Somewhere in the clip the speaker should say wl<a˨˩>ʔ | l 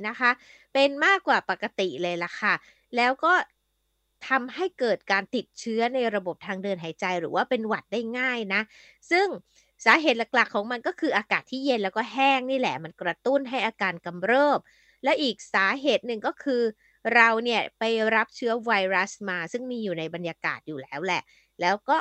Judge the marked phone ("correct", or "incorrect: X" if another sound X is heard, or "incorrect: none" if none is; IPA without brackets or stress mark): incorrect: ɛ˨˩